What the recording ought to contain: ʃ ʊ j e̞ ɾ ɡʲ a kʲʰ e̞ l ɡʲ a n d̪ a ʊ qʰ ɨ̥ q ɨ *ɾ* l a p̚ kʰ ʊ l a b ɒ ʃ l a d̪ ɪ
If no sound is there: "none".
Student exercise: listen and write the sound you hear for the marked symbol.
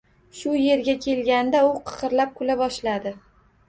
ɾ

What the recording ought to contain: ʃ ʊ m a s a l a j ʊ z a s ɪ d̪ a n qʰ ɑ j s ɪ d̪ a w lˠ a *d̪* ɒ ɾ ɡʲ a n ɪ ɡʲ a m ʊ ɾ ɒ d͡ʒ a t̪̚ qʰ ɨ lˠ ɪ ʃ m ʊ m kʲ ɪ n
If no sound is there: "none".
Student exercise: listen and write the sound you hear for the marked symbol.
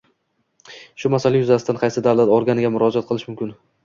t̪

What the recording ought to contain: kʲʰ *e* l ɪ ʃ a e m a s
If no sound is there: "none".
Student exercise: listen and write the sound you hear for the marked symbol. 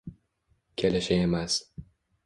e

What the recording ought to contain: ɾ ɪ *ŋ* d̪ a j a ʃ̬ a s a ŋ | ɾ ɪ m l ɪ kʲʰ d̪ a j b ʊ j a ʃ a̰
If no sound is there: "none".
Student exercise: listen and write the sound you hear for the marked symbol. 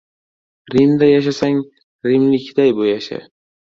m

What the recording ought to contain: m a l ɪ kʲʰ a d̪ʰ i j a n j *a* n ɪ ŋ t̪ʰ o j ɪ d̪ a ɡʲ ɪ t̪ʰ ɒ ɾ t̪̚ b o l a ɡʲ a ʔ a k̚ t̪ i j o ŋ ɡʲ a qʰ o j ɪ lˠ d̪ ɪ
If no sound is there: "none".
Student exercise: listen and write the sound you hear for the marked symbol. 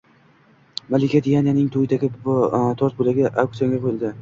a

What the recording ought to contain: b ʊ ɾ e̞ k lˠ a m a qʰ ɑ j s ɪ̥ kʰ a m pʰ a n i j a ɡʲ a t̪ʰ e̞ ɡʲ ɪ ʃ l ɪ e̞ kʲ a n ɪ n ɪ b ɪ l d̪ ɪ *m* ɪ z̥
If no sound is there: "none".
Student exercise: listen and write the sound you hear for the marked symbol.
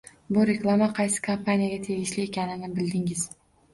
ŋ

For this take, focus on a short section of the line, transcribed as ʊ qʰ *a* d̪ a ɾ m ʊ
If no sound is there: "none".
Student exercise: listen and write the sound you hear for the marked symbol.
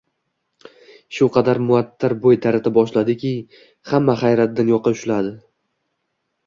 ɑ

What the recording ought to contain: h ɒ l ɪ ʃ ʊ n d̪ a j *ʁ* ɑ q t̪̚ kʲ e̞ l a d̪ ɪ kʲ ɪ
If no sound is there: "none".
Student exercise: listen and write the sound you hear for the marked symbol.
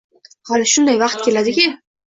v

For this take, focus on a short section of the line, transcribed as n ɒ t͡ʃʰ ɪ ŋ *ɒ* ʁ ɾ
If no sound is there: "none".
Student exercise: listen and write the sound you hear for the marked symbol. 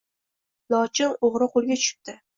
o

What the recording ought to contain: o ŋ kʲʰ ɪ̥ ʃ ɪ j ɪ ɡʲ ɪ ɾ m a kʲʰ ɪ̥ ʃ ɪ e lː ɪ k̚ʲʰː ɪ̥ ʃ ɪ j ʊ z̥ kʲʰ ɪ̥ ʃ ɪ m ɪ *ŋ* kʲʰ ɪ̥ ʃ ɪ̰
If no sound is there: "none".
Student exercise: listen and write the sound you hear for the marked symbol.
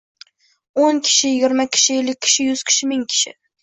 ŋ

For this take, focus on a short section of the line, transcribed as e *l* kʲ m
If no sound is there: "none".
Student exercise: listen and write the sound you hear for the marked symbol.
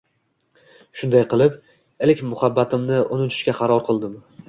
l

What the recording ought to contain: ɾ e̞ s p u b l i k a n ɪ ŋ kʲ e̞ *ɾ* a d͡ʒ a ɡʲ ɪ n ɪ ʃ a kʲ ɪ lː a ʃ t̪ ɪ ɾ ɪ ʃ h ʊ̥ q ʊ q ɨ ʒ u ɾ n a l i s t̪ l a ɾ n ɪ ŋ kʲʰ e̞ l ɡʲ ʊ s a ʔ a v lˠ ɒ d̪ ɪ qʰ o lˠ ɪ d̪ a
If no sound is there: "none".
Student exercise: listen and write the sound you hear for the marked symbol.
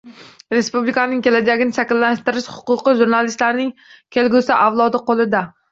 l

